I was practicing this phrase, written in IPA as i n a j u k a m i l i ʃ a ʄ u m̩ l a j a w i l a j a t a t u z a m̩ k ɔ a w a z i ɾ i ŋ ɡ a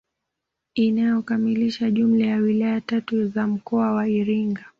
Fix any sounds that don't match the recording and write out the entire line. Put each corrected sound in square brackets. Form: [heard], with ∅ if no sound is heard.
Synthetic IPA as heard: i n a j [ɔ] k a m i l i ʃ a ʄ u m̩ l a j a w i l a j a t a t u z a m̩ k ɔ a w a [∅] i ɾ i ŋ ɡ a